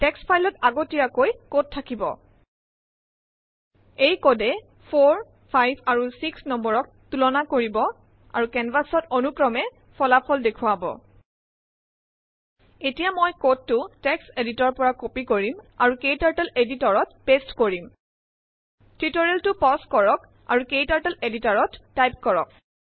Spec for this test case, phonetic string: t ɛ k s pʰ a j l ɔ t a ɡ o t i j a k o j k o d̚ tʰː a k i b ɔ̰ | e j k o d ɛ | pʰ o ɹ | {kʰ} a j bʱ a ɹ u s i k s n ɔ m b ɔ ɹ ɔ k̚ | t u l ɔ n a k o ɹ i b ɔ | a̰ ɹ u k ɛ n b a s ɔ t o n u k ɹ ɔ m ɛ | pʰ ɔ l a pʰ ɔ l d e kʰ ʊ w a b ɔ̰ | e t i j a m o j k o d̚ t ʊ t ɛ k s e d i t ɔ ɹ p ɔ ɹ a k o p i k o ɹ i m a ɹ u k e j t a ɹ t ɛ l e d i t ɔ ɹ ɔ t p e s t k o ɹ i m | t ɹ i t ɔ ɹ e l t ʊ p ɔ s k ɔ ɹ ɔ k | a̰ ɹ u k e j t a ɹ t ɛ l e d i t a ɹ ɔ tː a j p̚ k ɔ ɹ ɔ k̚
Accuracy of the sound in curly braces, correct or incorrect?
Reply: incorrect